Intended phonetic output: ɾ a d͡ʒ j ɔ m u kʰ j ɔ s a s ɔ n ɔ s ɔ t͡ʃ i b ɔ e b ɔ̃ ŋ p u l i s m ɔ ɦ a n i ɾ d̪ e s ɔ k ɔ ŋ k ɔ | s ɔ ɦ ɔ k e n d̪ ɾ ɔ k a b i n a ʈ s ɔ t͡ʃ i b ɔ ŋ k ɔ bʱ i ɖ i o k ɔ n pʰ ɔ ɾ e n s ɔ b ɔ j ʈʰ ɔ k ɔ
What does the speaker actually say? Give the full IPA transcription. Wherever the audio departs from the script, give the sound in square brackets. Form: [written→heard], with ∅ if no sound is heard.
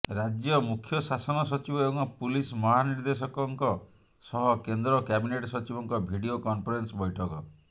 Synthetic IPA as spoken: ɾ a d͡ʒ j ɔ m u kʰ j ɔ s a s ɔ n ɔ s ɔ t͡ʃ i b ɔ e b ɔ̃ ŋ p u l i s m ɔ ɦ a n i ɾ d̪ e s ɔ k ɔ ŋ k ɔ | s ɔ ɦ ɔ k e n d̪ ɾ ɔ k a b i n [a→e] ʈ s ɔ t͡ʃ i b ɔ ŋ k ɔ bʱ i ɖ i o k ɔ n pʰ ɔ ɾ e n s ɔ b ɔ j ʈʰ ɔ k ɔ

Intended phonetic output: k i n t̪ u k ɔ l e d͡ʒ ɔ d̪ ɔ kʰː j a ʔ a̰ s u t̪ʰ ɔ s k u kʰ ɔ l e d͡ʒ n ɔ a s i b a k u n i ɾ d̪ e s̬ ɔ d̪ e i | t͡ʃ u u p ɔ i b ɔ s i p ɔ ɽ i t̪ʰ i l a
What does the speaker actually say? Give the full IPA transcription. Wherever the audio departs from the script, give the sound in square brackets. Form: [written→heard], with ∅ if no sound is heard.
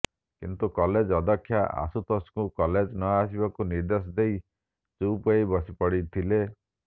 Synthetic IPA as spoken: k i n t̪ u k ɔ l e d͡ʒ ɔ d̪ ɔ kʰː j a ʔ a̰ s u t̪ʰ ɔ s k u [kʰ→k] ɔ l e d͡ʒ n ɔ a s i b a k u n i ɾ d̪ e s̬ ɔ d̪ e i | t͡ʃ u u p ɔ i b ɔ s i p ɔ ɽ i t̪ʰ i l [a→e]

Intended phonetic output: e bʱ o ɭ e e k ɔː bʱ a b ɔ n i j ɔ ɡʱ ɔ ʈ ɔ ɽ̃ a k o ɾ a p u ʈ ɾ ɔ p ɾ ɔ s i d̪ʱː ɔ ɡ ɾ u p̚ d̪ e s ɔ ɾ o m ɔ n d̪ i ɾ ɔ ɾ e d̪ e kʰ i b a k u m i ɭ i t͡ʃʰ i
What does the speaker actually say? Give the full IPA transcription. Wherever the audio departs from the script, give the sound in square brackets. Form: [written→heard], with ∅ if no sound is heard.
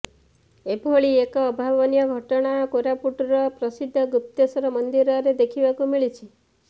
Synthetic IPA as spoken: e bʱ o ɭ [e→i] e k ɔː bʱ a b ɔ n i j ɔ ɡʱ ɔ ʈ ɔ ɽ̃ a k o ɾ a p u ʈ ɾ ɔ p ɾ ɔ s i d̪ʱː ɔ ɡ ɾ u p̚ [d̪→t̪] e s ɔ ɾ [o→ɔ] m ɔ n d̪ i ɾ ɔ ɾ e d̪ e kʰ i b a k u m i ɭ i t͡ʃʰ i

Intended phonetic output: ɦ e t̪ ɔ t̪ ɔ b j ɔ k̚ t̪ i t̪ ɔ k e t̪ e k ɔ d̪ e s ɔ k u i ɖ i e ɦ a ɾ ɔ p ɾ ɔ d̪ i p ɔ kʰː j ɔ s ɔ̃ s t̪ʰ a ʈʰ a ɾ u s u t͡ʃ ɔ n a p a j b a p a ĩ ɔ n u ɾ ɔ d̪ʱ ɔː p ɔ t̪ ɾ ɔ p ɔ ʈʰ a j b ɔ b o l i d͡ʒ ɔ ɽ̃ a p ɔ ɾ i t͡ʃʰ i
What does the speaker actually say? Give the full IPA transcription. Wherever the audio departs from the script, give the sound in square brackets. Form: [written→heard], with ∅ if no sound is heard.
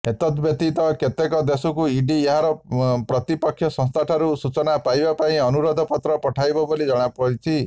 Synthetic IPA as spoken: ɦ e t̪ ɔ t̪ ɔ b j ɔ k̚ t̪ i t̪ ɔ k e t̪ e k ɔ d̪ e s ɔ k u i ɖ i e ɦ a ɾ ɔ p ɾ ɔ [d̪→t̪] i p ɔ kʰː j ɔ s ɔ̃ s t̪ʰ a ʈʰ a ɾ u s u t͡ʃ ɔ n a p a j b a p a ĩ ɔ n u ɾ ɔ d̪ʱ [ɔː→ɔ] p ɔ t̪ ɾ ɔ p ɔ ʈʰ a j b ɔ b o l i d͡ʒ ɔ ɽ̃ a p ɔ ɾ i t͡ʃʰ i

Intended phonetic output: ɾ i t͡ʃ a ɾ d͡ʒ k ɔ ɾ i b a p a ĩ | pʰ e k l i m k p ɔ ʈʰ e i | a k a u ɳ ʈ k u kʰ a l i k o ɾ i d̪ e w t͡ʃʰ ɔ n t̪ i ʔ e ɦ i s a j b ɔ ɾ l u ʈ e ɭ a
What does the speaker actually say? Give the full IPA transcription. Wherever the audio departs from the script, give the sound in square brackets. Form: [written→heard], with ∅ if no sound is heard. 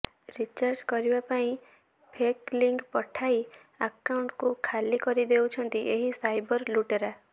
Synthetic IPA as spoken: ɾ i t͡ʃ a ɾ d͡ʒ k ɔ ɾ i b a p a ĩ | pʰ e k l i [m→ŋ] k p ɔ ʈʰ [e→a] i | a k a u ɳ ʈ k u kʰ a l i k [o→ɔ] ɾ i d̪ e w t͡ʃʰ ɔ n t̪ i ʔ e ɦ i s a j b ɔ ɾ l u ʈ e [ɭ→ɾ] a

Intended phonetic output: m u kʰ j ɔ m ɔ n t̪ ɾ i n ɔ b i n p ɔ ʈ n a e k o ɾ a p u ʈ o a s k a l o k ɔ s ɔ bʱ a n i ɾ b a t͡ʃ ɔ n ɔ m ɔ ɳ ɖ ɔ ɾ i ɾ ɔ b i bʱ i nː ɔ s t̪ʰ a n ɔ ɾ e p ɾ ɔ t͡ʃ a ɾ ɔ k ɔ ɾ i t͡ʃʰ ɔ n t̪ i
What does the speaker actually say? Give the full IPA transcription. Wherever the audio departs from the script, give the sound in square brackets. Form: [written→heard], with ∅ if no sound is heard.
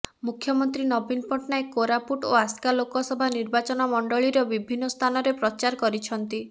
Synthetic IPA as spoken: m u kʰ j ɔ m ɔ n t̪ ɾ i n ɔ b i n p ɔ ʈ n a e k o ɾ a p u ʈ o a s k a l o k ɔ s ɔ bʱ a n i ɾ b a t͡ʃ ɔ n ɔ m ɔ ɳ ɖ ɔ [ɾ→ɭ] i ɾ ɔ b i bʱ i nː ɔ s t̪ʰ a n ɔ ɾ e p ɾ ɔ t͡ʃ a ɾ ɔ k ɔ ɾ i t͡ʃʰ ɔ n t̪ i

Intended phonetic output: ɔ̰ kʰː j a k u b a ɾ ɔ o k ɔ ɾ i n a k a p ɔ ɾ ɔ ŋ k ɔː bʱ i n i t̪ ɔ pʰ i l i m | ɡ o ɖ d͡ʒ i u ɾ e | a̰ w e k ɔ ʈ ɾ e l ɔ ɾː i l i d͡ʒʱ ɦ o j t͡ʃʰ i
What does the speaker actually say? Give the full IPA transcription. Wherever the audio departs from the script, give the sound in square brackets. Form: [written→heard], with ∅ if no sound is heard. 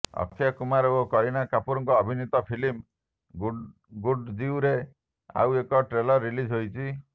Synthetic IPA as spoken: ɔ̰ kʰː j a k u [b→m] a ɾ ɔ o k ɔ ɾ i n a k a p [ɔ→u] ɾ ɔ ŋ k ɔː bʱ i n i t̪ ɔ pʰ i l i m | ɡ [o→u] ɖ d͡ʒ i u ɾ e | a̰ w e k ɔ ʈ ɾ e l ɔ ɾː i l i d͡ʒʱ ɦ o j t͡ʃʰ i

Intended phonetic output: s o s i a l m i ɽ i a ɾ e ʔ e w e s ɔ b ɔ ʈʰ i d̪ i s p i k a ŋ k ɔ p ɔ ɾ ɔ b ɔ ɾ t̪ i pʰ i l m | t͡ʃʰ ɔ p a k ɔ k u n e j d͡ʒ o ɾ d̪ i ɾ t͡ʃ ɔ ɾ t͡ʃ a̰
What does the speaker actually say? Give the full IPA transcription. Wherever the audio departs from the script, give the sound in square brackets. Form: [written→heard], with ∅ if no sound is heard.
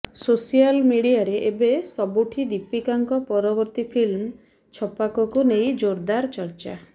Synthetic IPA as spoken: s o s i a l m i ɽ i a ɾ e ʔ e [w→b] e s ɔ b [ɔ→u] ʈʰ i d̪ i [s→∅] p i k a ŋ k ɔ p ɔ ɾ ɔ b ɔ ɾ t̪ i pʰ i l m | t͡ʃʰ ɔ p a k ɔ k u n e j d͡ʒ o ɾ d̪ [i→a] ɾ t͡ʃ ɔ ɾ t͡ʃ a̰

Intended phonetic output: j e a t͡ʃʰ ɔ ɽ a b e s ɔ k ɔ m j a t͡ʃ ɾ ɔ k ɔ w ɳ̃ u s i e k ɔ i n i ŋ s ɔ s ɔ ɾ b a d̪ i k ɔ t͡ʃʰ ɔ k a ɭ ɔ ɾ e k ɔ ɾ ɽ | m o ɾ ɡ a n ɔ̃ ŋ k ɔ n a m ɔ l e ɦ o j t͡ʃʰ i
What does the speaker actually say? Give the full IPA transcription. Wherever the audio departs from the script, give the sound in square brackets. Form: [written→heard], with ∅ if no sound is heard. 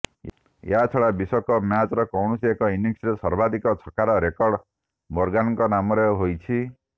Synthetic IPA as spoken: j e a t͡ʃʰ ɔ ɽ a b [e→i] s ɔ k ɔ m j a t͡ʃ ɾ ɔ k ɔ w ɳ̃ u s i e k ɔ i n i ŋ s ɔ s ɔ ɾ b a d̪ i k ɔ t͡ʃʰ ɔ k a [ɭ→ɾ] ɔ ɾ e k ɔ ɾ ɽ | m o ɾ ɡ a n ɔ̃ ŋ k ɔ n a m ɔ [l→ɾ] e ɦ o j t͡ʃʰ i

